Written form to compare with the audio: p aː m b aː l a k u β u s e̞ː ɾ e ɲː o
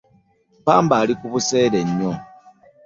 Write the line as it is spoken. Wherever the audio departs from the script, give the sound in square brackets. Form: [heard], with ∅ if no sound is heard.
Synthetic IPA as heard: p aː m b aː l [i] k u β u s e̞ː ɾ e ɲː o

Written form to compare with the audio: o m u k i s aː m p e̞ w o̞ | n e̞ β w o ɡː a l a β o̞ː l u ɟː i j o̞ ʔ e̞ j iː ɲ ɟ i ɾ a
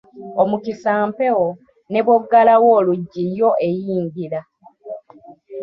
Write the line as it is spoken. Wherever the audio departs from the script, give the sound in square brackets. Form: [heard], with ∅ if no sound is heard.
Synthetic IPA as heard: o m u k i s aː m p e̞ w o̞ | n e̞ β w o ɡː a l a [w] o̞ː l u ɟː i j o̞ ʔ e̞ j iː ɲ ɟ i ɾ a

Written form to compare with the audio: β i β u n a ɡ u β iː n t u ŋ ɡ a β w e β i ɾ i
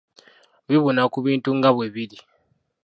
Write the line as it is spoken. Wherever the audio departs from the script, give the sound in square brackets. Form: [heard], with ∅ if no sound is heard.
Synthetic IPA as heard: β i β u n a [k] u β iː n t u ŋ ɡ a β w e β i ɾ i

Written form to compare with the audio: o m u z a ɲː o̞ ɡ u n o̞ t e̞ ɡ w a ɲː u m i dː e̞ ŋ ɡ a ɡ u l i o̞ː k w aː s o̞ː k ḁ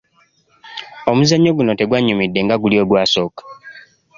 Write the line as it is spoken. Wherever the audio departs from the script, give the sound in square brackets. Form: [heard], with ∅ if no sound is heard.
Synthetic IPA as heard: o m u z a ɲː o̞ ɡ u n o̞ t e̞ ɡ w a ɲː u m i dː e̞ ŋ ɡ a ɡ u l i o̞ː [ɡ] w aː s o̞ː k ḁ

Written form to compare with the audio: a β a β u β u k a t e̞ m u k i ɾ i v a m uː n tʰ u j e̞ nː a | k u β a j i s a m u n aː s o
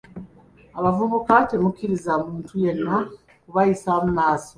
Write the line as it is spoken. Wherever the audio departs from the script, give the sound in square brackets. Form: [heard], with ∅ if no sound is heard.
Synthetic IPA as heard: a β a [v] u β u k a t e̞ m u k i ɾ i [z] a m uː n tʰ u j e̞ nː a | k u β a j i s a m u n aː s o

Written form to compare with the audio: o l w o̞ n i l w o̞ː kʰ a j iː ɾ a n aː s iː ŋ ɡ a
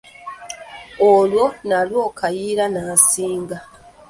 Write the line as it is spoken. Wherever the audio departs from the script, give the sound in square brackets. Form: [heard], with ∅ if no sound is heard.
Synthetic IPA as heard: o l w o̞ n [a] l w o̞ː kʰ a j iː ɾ a n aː s iː ŋ ɡ a

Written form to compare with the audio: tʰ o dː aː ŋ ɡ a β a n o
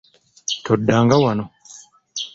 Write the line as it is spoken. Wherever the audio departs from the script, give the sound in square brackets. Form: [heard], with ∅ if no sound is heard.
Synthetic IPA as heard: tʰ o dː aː ŋ ɡ a [w] a n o

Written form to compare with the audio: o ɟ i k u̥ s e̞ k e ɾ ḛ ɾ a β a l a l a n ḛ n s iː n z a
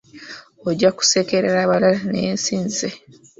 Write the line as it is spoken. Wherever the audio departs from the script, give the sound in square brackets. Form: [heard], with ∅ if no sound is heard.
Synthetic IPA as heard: o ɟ [a] k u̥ s e̞ k e ɾ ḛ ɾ a β a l a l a n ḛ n s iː n z [e]

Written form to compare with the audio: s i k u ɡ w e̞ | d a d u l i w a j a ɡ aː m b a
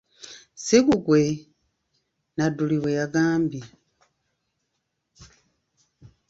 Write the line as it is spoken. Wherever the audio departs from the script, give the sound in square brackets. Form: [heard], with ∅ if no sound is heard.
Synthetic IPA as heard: s i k u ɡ w e̞ | [n] a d u l i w [e] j a ɡ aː m b [i]

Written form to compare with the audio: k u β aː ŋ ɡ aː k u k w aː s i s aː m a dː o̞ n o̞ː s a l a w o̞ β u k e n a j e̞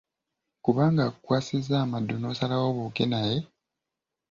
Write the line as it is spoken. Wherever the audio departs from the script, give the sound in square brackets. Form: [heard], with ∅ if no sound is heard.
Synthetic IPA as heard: k u β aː ŋ ɡ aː k u k w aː s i [z] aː m a dː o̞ n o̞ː s a l a w o̞ β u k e n a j e̞

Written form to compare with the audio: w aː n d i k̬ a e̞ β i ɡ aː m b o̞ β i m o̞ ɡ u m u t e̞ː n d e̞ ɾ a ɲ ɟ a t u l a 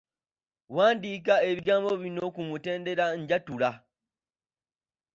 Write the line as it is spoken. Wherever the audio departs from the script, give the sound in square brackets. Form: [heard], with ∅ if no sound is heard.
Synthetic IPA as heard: w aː n d i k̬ a e̞ β i ɡ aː m b o̞ β i [n] o̞ [k] u m u t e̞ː n d e̞ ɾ a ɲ ɟ a t u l a

